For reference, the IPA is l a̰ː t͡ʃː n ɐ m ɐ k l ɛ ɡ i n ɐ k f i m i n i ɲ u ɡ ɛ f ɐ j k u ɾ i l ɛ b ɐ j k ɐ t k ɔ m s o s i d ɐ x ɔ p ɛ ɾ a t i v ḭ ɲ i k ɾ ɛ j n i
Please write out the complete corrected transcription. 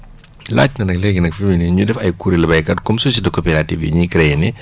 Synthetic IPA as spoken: l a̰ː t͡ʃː n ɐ n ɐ k l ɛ ɡ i n ɐ k f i m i n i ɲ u d ɛ f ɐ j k u ɾ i l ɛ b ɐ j k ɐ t k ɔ m s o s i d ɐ k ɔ p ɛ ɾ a t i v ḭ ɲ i k ɾ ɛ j n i